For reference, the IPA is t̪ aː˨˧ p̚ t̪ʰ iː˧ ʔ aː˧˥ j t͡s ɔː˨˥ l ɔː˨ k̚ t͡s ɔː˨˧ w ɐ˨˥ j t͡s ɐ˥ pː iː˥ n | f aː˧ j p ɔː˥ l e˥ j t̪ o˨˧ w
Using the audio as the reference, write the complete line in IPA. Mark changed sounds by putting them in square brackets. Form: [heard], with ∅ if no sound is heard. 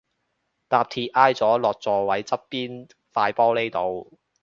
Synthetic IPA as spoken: t̪ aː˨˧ p̚ t̪ʰ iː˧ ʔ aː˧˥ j t͡s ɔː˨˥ l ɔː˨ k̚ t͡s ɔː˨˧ w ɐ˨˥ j t͡s ɐ˥ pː iː˥ n | f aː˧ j p ɔː˥ l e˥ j t̪ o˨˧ w